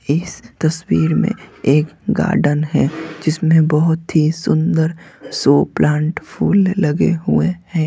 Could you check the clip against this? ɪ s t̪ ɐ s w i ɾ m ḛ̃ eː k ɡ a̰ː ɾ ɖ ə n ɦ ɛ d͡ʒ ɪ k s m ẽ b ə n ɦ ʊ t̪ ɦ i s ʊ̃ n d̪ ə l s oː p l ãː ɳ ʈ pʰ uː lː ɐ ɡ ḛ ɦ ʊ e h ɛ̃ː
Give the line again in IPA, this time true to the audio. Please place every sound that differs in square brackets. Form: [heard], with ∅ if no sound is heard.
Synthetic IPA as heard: ɪ s t̪ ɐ s w [iː] ɾ m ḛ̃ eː k ɡ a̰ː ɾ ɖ ə n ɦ ɛ d͡ʒ ɪ [∅] s m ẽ b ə [∅] ɦ ʊ t̪ ɦ i s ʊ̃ n d̪ ə [ɾ] s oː p l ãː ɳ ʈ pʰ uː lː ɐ ɡ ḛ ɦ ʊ e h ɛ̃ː

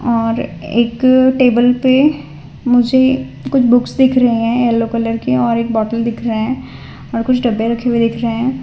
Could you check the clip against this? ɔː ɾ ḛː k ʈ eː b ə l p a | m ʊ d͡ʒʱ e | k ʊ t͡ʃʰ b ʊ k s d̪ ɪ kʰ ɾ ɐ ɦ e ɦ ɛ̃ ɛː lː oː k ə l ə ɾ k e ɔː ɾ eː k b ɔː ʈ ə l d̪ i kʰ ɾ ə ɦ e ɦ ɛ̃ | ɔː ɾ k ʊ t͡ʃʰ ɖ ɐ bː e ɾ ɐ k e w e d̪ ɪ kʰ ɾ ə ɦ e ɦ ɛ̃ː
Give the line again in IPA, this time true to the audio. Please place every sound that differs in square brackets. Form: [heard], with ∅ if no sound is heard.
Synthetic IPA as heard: ɔː ɾ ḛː k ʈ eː b ə l p [e] | m ʊ d͡ʒʱ e | k ʊ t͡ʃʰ b ʊ k s d̪ ɪ kʰ ɾ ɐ ɦ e ɦ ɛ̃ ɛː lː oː k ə l ə ɾ k e ɔː ɾ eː k b ɔː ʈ ə l d̪ [ɪ] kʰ ɾ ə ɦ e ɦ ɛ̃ | ɔː ɾ k ʊ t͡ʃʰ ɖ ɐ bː e ɾ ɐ [kʰ] e w e d̪ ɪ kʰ ɾ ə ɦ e ɦ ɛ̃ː

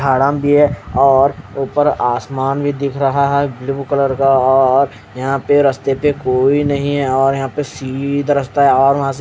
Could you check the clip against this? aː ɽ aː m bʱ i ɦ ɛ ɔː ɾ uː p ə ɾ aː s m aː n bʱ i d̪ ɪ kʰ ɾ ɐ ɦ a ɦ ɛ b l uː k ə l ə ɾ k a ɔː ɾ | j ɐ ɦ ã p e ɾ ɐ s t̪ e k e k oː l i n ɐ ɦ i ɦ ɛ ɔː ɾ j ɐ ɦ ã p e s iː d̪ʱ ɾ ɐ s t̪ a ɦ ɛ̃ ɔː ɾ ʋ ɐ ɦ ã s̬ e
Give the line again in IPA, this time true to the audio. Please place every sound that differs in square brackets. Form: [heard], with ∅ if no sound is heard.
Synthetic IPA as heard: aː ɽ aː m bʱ i ɦ ɛ ɔː ɾ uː p ə ɾ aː s m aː n bʱ i d̪ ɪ kʰ ɾ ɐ ɦ a ɦ ɛ b l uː k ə l ə ɾ k a ɔː ɾ | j ɐ ɦ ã p e ɾ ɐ s t̪ e [p] e k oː [∅] i n ɐ ɦ [ĩ] ɦ ɛ ɔː ɾ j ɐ ɦ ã p e s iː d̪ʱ ɾ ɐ s t̪ a ɦ [ɛ] ɔː ɾ ʋ ɐ ɦ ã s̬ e

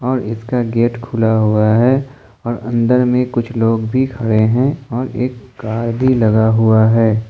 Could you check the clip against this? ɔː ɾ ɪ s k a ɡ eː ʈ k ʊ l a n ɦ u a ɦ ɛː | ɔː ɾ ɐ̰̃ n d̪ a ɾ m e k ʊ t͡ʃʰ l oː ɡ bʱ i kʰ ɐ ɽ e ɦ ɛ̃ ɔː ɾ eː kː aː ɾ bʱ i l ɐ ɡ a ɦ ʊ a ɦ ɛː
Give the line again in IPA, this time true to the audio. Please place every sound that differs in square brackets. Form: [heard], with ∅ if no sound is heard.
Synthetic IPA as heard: ɔː ɾ ɪ s k a ɡ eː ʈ [kʰ] ʊ l a [∅] ɦ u a ɦ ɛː | ɔː ɾ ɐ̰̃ n d̪ [ə] ɾ m [ẽ] k ʊ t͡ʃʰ l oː ɡ bʱ i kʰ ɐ ɽ e ɦ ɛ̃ ɔː ɾ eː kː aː ɾ bʱ i l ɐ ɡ a ɦ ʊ a ɦ ɛː

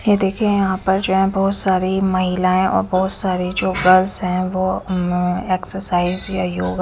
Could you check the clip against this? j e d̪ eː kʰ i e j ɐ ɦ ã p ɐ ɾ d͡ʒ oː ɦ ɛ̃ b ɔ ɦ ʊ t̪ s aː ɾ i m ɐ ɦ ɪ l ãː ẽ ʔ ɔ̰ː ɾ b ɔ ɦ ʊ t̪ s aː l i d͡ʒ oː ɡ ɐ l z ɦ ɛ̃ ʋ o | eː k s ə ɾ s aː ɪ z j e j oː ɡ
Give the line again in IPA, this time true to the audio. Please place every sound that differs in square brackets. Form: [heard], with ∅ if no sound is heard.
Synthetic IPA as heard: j e d̪ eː kʰ i e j ɐ ɦ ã p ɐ ɾ d͡ʒ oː ɦ ɛ̃ b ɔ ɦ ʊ t̪ s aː ɾ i m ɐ ɦ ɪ l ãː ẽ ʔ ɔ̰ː ɾ b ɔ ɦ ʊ t̪ s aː [ɾ] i d͡ʒ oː ɡ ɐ l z ɦ ɛ̃ ʋ o | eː k s ə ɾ s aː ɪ z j [a] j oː ɡ

